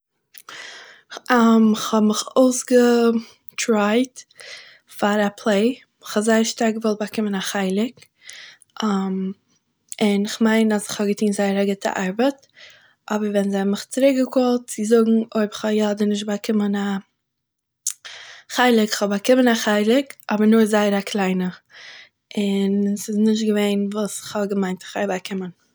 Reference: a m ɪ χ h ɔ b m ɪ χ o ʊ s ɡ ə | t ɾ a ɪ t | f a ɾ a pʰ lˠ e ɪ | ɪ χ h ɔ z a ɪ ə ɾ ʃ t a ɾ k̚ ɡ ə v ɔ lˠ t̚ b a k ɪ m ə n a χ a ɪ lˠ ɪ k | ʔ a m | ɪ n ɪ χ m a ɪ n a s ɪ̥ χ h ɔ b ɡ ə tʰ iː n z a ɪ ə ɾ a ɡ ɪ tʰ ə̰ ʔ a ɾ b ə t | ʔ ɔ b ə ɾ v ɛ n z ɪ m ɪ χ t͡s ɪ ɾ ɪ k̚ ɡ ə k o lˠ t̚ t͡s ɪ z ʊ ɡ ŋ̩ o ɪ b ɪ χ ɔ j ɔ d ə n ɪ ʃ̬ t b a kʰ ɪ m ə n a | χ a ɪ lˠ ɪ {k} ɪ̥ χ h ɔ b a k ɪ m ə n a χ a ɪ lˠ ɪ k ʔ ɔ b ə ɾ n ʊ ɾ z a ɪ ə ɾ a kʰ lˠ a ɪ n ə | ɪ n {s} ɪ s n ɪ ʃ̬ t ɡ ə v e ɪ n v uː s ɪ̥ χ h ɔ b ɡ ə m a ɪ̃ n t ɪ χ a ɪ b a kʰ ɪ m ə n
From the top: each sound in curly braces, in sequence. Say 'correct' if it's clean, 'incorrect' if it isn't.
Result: correct, correct

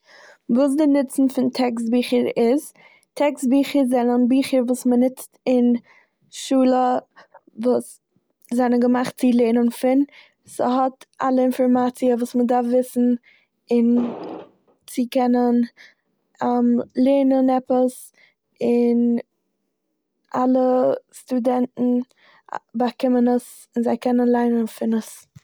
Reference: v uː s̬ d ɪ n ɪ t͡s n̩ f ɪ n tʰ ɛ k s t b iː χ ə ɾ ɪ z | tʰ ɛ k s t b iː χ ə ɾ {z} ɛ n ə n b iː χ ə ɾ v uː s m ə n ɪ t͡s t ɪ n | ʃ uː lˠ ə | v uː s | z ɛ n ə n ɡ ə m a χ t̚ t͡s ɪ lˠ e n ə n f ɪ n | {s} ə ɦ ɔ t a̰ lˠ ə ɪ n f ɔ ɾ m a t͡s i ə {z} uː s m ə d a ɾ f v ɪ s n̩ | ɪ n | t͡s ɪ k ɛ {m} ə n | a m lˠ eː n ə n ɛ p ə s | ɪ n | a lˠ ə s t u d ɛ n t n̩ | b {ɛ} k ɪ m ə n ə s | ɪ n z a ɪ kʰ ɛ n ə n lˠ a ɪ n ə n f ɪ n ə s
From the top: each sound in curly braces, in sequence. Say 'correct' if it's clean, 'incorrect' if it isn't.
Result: correct, correct, incorrect: v, incorrect: n, incorrect: a

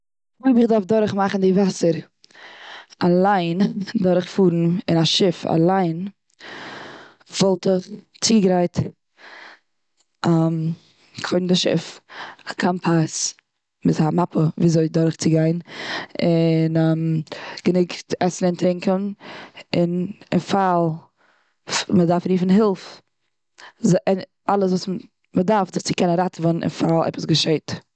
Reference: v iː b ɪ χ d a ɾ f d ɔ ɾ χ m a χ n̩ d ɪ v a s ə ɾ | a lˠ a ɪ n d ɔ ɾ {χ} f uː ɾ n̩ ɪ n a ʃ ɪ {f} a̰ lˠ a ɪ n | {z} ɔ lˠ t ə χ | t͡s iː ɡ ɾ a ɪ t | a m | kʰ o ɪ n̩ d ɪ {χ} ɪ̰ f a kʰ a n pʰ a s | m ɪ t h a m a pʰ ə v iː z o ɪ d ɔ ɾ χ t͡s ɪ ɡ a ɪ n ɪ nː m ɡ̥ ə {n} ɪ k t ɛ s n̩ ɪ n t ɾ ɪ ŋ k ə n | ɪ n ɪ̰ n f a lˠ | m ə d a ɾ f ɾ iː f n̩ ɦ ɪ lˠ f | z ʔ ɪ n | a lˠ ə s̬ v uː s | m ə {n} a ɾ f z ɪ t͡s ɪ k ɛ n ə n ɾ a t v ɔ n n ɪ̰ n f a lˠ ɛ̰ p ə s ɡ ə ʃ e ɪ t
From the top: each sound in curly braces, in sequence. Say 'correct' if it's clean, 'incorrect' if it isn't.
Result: correct, correct, incorrect: v, incorrect: ʃ, correct, incorrect: d

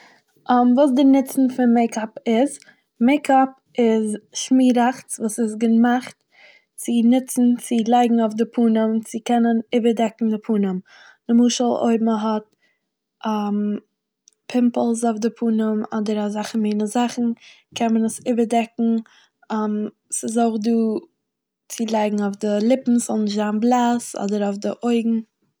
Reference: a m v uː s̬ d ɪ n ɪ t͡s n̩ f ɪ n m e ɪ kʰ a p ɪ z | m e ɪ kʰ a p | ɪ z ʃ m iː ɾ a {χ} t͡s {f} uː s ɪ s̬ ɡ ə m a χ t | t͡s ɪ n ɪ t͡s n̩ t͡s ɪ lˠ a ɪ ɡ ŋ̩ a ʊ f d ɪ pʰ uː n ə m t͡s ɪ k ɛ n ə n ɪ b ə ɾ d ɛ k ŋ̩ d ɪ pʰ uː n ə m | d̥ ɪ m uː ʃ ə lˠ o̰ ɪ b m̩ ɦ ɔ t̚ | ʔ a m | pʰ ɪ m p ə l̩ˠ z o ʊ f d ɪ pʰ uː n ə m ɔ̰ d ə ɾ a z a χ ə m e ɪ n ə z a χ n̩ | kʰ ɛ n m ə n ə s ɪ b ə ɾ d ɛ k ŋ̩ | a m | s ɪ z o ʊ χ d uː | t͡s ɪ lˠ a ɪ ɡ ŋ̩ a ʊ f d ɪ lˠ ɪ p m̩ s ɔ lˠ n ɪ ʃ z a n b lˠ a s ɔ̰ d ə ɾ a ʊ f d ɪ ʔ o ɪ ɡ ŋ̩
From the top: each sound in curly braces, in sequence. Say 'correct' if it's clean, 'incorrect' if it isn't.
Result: correct, incorrect: v

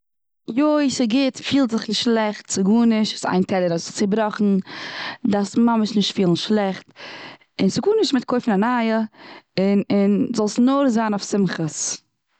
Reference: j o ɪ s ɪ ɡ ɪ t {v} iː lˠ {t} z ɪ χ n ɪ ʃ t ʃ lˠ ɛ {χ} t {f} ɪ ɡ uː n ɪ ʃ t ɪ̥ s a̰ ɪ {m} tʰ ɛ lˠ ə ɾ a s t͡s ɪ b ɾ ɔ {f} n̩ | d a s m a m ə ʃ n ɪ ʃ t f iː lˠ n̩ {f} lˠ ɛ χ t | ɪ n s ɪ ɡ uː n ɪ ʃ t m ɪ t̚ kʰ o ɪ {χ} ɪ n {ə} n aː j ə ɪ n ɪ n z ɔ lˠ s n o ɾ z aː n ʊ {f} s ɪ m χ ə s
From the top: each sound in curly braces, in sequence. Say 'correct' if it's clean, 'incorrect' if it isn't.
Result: incorrect: f, correct, correct, incorrect: s, incorrect: n, incorrect: χ, incorrect: ʃ, incorrect: f, incorrect: a, correct

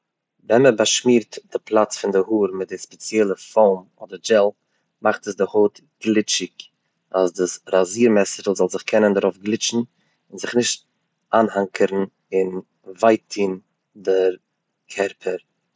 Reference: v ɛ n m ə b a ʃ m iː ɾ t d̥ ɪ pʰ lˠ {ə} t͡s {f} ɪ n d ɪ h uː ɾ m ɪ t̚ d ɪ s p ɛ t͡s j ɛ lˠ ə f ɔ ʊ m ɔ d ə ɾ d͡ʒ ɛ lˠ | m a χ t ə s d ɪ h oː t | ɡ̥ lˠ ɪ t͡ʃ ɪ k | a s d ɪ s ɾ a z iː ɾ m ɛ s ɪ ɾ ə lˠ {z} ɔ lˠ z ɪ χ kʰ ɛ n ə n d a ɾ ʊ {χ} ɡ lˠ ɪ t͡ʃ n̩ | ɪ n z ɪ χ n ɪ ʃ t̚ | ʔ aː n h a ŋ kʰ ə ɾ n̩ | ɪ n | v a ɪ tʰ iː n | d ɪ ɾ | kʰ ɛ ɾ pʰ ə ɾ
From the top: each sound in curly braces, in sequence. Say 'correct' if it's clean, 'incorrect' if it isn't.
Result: incorrect: a, correct, correct, incorrect: f

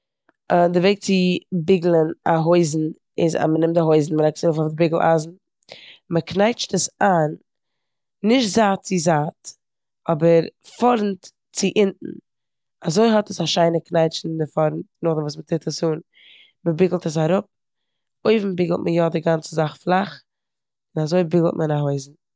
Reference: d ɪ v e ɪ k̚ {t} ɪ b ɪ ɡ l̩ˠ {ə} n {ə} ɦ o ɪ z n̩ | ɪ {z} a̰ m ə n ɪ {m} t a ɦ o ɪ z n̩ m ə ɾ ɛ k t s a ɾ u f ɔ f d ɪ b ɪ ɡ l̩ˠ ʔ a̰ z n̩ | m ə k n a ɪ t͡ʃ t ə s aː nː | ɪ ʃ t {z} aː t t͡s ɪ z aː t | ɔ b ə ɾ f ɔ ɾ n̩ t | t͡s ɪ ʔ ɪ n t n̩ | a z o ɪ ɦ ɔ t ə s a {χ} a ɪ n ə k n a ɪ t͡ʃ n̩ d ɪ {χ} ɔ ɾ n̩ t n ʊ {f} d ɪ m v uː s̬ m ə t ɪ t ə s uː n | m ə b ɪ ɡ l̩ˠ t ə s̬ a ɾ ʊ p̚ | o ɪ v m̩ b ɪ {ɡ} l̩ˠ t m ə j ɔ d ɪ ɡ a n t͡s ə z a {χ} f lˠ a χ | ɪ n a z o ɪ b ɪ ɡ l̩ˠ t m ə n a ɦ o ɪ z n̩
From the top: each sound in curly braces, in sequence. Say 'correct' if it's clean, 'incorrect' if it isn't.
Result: incorrect: t͡s, correct, incorrect: a, correct, correct, correct, incorrect: ʃ, incorrect: f, incorrect: χ, correct, correct

